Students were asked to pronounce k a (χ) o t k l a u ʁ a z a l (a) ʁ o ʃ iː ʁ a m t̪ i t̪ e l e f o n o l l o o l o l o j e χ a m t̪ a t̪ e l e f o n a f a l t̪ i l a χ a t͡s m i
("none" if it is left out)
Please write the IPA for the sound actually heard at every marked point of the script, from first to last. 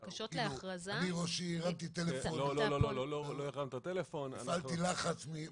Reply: ʃ, i

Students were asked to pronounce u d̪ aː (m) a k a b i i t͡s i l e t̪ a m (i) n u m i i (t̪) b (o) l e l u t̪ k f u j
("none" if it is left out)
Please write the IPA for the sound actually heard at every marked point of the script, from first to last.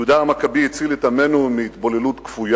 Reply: m, e, t̪, o

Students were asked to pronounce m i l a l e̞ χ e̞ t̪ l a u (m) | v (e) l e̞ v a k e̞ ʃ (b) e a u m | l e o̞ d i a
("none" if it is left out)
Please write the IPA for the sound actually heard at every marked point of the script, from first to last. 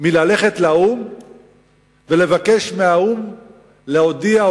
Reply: m, e, m

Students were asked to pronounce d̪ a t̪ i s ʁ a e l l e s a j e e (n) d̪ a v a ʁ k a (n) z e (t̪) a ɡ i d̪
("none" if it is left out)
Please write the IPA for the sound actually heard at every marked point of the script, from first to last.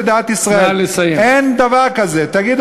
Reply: n, none, t̪

